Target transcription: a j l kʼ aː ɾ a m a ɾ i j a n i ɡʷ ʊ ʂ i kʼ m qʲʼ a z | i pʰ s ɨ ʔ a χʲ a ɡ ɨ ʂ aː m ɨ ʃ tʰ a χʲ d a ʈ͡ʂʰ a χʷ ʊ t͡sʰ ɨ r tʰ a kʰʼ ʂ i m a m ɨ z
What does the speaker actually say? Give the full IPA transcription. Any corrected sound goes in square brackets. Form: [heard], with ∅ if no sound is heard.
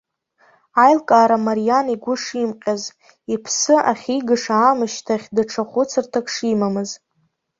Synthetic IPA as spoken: a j l kʼ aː ɾ a m a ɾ i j a n i ɡʷ ʊ ʂ i [∅] m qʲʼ a z | i pʰ s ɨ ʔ a χʲ [i] ɡ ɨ ʂ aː m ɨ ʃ tʰ a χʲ d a ʈ͡ʂʰ a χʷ ʊ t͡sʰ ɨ r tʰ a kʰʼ ʂ i m a m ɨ z